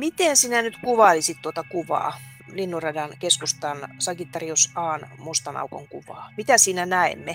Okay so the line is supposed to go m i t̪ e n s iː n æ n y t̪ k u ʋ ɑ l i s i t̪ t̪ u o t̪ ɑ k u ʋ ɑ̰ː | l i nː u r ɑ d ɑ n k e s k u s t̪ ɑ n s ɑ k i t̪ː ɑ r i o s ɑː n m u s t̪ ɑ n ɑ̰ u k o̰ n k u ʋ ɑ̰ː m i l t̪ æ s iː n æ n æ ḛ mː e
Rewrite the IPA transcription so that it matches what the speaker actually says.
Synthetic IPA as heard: m i t̪ e n s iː n æ n y t̪ k u ʋ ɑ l i s i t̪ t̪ u o t̪ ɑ k u ʋ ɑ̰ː | l i nː u r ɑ d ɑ n k e s k u s t̪ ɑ n s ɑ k i t̪ː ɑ r i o s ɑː n m u s t̪ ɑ n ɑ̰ u k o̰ ŋ k u ʋ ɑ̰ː m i t̪ æ s iː n æ n æ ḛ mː e